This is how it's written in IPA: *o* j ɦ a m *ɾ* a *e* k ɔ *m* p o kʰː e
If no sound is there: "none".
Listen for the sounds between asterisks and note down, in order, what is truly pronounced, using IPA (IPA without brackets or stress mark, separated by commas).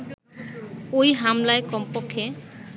o, l, e, m